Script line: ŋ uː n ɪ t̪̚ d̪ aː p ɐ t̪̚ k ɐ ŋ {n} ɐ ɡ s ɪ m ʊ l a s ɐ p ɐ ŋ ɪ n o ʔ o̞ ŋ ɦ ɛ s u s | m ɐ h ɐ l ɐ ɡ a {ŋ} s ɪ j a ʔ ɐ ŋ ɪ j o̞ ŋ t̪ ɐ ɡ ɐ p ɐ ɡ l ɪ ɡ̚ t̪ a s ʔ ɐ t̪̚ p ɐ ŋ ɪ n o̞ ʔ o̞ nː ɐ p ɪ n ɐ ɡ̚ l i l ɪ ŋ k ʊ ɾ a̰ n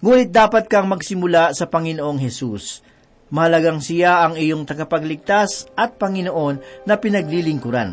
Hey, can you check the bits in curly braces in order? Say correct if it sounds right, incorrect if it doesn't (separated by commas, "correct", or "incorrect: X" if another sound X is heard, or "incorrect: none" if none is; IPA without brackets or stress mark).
incorrect: m, correct